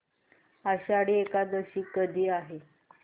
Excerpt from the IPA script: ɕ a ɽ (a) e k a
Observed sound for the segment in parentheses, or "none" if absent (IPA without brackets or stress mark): i